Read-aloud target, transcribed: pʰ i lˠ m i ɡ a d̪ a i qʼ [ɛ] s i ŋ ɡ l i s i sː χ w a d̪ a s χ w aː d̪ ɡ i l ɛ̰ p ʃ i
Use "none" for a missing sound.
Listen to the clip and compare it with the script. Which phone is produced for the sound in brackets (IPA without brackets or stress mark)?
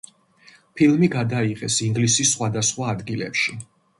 ɛ